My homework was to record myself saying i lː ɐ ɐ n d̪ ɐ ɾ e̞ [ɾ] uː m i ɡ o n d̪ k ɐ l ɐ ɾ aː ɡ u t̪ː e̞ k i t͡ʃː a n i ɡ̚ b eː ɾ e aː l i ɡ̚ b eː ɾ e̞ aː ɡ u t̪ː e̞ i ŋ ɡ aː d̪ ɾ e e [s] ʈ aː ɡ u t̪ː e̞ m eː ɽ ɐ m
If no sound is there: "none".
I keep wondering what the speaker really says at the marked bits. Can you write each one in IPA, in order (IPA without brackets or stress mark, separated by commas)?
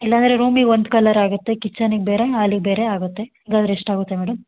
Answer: ɾ, ʂ